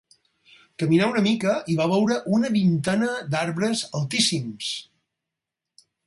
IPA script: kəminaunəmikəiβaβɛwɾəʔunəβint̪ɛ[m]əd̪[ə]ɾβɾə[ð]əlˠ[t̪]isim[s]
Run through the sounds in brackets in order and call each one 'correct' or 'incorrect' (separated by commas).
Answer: incorrect, incorrect, incorrect, correct, correct